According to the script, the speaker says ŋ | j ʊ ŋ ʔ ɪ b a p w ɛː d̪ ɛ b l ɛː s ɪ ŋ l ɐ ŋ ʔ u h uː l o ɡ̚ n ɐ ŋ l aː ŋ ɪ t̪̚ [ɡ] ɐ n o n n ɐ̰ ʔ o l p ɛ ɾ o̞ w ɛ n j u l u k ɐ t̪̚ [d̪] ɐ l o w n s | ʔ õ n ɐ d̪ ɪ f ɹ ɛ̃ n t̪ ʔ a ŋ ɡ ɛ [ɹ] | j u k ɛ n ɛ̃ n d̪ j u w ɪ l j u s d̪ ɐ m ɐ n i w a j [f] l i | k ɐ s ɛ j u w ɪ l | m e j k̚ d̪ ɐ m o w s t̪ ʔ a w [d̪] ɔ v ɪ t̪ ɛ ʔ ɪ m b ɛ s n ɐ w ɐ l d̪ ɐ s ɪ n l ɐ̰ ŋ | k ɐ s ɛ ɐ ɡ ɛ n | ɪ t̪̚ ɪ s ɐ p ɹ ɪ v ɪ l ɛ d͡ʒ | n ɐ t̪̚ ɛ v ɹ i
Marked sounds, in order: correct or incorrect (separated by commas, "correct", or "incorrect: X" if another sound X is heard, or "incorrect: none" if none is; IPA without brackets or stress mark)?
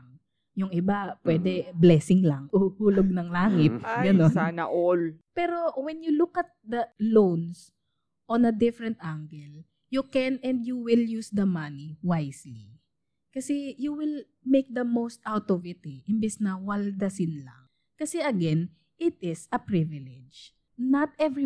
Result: correct, correct, incorrect: l, incorrect: s, incorrect: t̪